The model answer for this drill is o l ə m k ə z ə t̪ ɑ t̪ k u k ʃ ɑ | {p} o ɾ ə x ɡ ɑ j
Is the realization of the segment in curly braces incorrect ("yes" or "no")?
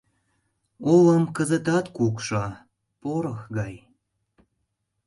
no